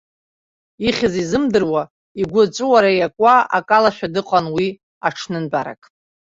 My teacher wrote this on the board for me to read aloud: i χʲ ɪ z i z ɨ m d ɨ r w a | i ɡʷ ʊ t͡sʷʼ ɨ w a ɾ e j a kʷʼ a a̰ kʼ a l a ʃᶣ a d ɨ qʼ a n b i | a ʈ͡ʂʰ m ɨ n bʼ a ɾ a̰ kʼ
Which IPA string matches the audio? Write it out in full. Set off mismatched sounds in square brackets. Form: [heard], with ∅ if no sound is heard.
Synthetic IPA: i χʲ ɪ z i z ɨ m d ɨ r w a | i ɡʷ ʊ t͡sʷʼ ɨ w a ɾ [a] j a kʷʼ a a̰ kʼ a l a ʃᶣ a d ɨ qʼ a n [w] i | a ʈ͡ʂʰ [n] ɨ n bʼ a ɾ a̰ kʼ